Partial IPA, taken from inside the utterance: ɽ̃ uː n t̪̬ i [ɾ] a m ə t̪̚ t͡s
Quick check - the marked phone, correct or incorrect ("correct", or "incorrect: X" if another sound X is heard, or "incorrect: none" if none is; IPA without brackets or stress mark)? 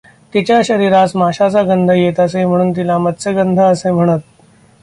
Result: incorrect: l